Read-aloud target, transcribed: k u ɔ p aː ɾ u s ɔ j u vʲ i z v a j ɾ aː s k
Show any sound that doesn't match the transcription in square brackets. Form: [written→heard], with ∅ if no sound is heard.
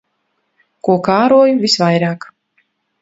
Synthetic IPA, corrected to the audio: k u ɔ [p→k] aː ɾ u [s→∅] ɔ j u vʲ i [z→s] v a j ɾ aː [s→∅] k